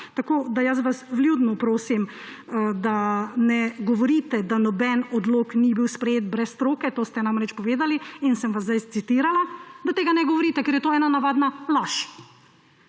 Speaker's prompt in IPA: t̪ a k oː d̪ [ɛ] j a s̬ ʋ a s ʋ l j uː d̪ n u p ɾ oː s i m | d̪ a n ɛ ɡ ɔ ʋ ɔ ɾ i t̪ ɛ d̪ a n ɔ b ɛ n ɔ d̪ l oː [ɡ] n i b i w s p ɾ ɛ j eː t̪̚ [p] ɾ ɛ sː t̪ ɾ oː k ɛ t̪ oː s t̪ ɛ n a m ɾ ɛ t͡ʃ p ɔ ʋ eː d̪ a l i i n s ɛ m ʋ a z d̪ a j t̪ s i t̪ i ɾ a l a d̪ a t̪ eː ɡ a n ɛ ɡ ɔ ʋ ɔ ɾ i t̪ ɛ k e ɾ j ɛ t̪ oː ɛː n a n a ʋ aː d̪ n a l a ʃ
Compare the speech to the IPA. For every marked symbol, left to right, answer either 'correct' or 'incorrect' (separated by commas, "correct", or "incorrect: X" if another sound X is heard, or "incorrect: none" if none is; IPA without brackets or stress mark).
incorrect: a, incorrect: k, incorrect: b